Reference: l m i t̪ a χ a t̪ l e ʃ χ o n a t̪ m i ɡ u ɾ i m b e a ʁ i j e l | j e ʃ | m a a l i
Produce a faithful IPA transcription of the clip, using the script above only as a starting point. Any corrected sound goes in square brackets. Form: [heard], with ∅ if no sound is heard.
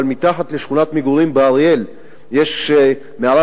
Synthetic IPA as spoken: l m i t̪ a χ a t̪ l e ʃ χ [u] n a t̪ m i ɡ u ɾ i m b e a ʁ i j e l | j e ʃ | m [e] a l [a]